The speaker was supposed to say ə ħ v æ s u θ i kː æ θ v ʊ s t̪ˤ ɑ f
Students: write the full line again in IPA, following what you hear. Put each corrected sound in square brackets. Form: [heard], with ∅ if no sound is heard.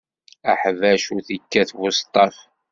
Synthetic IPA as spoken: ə ħ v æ [ʃ] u θ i kː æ θ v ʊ s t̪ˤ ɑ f